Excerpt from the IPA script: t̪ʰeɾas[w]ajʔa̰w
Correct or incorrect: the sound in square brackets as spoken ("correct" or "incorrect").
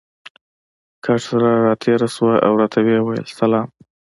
correct